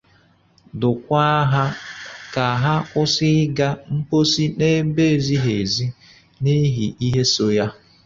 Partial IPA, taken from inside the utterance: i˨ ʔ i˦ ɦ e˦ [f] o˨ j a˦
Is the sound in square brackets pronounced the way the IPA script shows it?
no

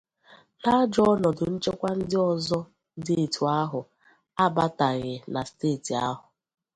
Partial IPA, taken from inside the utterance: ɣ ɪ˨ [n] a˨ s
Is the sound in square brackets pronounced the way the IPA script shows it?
yes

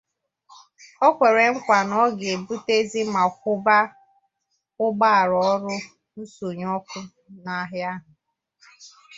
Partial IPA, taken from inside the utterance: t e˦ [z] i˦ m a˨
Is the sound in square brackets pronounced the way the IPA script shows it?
yes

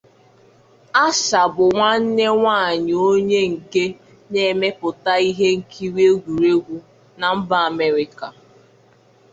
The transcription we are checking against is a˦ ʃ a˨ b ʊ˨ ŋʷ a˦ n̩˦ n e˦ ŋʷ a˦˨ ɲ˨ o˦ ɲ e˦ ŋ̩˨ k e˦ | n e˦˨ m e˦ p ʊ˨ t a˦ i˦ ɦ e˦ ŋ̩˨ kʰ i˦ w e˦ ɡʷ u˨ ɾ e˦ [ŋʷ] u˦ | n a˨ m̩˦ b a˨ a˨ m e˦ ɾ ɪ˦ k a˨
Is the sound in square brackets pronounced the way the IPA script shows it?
no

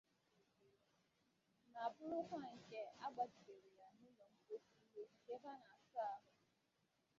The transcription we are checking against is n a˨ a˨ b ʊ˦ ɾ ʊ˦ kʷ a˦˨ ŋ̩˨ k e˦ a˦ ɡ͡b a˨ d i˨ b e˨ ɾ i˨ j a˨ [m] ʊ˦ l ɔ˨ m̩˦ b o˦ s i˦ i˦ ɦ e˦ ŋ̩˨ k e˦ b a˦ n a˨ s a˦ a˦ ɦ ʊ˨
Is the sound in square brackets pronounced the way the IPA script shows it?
no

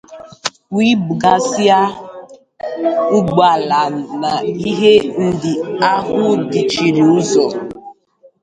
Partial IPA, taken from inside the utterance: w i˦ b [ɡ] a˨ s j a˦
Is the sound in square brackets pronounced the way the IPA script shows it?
yes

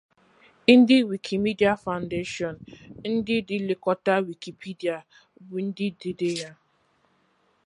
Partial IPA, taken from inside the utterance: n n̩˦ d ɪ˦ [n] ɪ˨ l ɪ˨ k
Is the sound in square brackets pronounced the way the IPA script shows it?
no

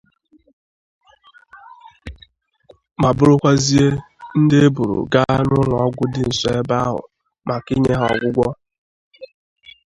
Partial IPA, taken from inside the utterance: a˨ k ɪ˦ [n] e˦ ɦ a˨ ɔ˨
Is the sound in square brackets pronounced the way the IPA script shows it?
no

